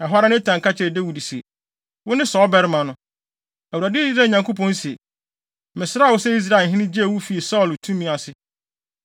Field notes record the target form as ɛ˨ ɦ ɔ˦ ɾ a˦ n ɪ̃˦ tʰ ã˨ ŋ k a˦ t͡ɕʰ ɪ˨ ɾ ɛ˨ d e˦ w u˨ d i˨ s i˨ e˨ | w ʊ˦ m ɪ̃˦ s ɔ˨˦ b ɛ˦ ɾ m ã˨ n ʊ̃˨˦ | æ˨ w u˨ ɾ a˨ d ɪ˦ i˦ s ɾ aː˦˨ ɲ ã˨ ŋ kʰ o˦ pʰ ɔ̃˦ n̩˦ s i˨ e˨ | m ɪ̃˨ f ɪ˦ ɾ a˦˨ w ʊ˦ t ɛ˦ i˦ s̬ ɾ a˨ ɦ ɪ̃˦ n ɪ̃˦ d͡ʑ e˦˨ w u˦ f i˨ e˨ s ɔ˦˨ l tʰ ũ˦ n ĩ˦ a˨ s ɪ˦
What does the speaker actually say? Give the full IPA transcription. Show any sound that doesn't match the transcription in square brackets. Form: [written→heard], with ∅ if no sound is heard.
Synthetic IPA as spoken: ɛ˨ ɦ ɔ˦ ɾ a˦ n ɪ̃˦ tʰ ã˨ ŋ k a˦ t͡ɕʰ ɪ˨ ɾ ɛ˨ d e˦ w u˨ d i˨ s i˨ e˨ | w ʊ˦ [m→n] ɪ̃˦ s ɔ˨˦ b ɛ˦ ɾ m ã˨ n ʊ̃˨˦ | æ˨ w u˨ ɾ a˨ d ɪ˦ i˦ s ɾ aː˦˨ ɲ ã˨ ŋ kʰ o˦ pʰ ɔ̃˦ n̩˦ s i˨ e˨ | m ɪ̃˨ [f→s] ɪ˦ ɾ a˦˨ w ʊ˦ [t→s] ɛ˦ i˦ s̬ ɾ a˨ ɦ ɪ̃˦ n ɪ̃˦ d͡ʑ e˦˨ w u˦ f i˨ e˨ s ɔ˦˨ l tʰ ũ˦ [n→m] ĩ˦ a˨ s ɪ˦